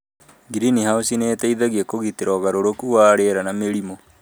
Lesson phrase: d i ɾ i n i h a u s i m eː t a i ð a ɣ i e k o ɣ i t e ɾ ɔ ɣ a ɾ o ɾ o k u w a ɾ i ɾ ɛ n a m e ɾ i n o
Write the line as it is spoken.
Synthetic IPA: ɡ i ɾ i n i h a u s i n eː t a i ð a ɣ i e k o ɣ i t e ɾ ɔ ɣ a ɾ o ɾ o k u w a ɾ e ɾ a n a m e ɾ i m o